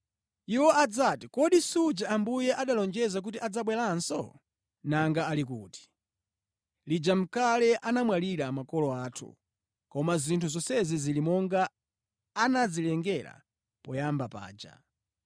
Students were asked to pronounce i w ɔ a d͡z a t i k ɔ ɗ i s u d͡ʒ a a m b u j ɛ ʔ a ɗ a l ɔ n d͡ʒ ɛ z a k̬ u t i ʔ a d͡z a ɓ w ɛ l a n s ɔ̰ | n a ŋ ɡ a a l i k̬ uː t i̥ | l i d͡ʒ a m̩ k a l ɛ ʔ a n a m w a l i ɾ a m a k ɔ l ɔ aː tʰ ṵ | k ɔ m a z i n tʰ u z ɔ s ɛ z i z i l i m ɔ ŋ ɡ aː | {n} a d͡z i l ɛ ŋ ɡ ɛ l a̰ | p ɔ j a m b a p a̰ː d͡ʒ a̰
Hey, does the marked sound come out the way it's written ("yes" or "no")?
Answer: yes